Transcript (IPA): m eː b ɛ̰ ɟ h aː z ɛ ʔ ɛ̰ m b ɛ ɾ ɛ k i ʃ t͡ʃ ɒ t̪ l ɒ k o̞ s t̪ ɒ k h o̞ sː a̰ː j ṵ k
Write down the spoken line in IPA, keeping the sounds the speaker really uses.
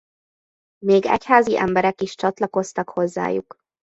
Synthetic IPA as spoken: m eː ɡ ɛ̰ c h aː z i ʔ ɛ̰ m b ɛ ɾ ɛ k i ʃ t͡ʃ ɒ t̪ l ɒ k o̞ s t̪ ɒ k h o̞ zː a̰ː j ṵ k